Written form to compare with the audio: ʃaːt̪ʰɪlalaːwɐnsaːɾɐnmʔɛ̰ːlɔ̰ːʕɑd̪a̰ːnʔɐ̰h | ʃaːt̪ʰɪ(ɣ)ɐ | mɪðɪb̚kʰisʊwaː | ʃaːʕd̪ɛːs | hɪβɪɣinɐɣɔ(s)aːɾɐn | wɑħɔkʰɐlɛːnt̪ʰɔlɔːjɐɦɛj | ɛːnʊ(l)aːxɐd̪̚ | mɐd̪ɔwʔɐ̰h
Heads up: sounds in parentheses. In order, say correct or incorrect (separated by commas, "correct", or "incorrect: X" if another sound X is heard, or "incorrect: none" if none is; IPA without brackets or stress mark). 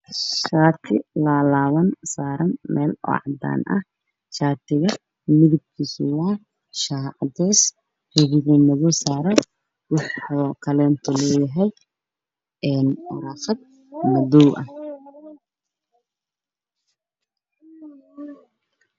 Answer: correct, correct, incorrect: ɾ